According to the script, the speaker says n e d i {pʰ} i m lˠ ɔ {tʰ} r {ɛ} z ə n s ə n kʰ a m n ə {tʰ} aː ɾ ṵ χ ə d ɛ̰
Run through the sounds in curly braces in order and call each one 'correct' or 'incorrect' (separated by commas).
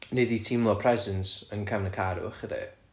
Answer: incorrect, incorrect, correct, incorrect